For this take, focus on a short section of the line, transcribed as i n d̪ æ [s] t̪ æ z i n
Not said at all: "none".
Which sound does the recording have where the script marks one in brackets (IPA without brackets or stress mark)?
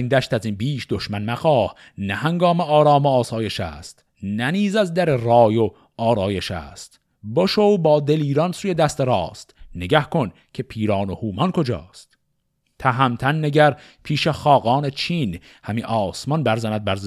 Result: ʃ